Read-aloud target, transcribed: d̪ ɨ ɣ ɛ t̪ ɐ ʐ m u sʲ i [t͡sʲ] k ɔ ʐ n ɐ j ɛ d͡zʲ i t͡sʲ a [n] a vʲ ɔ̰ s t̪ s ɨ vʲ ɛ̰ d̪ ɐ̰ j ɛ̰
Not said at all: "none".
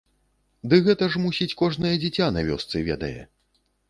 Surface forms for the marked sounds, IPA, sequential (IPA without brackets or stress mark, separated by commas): t͡sʲ, n